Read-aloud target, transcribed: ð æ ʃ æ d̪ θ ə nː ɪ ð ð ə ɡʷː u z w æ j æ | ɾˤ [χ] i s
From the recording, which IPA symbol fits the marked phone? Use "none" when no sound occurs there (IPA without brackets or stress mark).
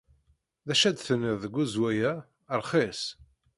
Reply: χ